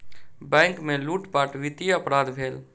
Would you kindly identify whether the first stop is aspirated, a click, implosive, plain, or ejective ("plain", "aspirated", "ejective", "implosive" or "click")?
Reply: plain